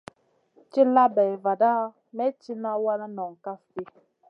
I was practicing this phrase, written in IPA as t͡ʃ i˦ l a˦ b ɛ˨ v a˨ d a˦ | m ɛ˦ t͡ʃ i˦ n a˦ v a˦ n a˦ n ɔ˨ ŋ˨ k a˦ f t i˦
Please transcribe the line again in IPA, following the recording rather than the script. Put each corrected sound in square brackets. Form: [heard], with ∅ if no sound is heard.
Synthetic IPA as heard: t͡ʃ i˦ l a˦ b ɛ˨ v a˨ d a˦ | m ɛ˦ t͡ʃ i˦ n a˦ [w] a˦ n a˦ n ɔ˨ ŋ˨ k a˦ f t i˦